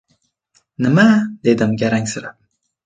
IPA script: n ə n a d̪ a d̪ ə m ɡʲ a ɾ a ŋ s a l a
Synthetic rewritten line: n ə m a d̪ e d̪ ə m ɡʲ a ɾ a ŋ s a ɾ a